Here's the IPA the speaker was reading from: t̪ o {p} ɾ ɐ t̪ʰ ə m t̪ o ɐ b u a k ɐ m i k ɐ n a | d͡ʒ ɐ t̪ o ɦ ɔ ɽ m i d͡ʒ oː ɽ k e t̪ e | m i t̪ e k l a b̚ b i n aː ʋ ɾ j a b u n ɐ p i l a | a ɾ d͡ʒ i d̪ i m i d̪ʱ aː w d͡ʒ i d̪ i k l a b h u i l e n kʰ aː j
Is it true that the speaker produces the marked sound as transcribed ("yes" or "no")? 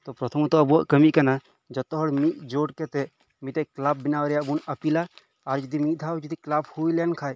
yes